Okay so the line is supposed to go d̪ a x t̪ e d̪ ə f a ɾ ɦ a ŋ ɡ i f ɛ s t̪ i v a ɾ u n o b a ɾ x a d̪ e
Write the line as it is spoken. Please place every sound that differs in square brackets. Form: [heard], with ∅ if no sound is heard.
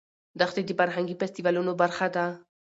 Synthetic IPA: d̪ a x t̪ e d̪ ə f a ɾ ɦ a ŋ ɡ i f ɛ s t̪ i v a [l] u n o b a ɾ x a d̪ [a]